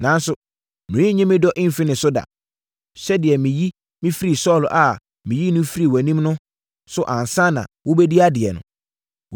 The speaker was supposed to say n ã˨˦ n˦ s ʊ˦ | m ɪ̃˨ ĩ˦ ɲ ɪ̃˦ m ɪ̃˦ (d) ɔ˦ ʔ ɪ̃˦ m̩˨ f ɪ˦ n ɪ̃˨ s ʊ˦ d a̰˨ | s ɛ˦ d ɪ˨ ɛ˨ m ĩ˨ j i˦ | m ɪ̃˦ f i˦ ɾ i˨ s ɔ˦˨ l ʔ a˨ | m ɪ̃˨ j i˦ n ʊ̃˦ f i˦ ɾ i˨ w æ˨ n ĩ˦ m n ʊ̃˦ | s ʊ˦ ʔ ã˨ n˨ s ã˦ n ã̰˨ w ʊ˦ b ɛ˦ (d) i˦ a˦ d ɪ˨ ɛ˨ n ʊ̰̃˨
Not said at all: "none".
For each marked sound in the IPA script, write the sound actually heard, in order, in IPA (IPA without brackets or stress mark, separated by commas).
d, d